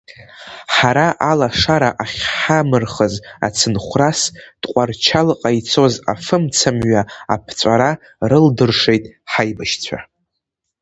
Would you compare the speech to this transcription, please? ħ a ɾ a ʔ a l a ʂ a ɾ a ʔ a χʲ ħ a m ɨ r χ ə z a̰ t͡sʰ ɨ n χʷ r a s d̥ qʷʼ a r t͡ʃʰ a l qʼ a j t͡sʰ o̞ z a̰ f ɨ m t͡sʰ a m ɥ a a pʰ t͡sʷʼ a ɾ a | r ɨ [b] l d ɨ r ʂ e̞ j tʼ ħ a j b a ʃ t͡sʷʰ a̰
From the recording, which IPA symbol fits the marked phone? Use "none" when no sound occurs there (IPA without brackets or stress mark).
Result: none